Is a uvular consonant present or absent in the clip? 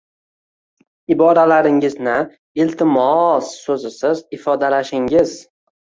absent